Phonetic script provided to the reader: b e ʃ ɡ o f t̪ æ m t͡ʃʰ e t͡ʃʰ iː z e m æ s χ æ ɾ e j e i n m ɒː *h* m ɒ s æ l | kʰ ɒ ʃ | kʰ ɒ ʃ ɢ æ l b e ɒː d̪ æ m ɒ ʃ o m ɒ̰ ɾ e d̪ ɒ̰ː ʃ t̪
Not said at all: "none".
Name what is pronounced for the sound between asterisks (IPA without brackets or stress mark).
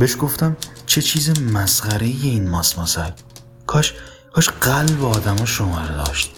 s